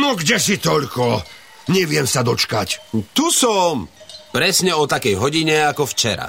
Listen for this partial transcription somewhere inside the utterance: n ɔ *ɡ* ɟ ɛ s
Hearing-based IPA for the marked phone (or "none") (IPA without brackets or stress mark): ɡ